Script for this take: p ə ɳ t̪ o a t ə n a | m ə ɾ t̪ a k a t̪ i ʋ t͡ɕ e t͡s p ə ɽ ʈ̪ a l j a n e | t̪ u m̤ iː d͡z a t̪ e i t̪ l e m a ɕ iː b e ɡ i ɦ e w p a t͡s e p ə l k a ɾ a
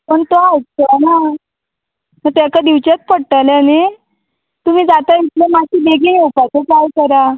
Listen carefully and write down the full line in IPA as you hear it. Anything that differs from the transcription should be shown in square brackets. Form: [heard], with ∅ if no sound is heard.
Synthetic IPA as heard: p ə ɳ t̪ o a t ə n a | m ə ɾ t̪ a k a [d̪] i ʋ t͡ɕ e t͡s p ə ɽ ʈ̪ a l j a n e | t̪ u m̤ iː d͡z a t̪ [a] i t̪ l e m a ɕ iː b e ɡ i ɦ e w p a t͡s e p [a] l k [ə] ɾ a